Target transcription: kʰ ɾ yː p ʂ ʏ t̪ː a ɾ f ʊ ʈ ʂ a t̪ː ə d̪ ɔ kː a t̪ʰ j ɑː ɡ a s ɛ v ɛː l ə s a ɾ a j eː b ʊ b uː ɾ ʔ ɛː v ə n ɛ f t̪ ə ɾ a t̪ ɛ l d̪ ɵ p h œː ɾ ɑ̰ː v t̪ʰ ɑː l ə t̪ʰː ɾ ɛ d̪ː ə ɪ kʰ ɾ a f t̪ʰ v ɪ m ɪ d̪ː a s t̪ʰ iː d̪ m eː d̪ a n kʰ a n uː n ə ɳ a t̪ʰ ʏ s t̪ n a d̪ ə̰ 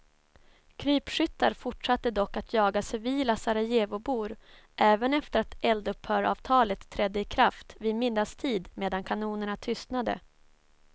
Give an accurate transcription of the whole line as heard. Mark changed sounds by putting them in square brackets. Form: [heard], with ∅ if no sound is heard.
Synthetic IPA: kʰ ɾ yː p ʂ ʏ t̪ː a ɾ f ʊ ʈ ʂ a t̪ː ə d̪ ɔ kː a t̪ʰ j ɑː ɡ a s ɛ v [iː] l [a] s a ɾ a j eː [v] ʊ b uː ɾ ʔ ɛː v ə n ɛ f t̪ ə ɾ a t̪ ɛ l d̪ ɵ p h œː ɾ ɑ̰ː v t̪ʰ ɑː l ə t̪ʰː ɾ ɛ d̪ː ə ɪ kʰ ɾ a f [t̪] v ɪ m ɪ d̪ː a s t̪ʰ iː d̪ m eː d̪ a n kʰ a n uː n ə ɳ a t̪ʰ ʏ s t̪ n a d̪ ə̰

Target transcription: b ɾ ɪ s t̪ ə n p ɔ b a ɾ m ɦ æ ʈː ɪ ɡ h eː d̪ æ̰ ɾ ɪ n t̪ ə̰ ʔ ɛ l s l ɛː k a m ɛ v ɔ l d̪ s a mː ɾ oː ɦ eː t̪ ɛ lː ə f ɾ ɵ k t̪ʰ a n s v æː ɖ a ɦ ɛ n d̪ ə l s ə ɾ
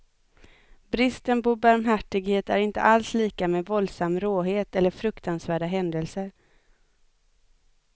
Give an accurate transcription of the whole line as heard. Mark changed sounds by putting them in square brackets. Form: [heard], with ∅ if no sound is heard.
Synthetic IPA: b ɾ ɪ s t̪ ə n p ɔ b a ɾ m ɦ æ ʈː ɪ ɡ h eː [t̪] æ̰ ɾ ɪ n t̪ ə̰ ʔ [a] l s l [iː] k a m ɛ v ɔ l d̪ s a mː ɾ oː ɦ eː t̪ ɛ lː ə f ɾ ɵ k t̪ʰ a n s v æː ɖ a ɦ ɛ n d̪ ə l s ə ɾ

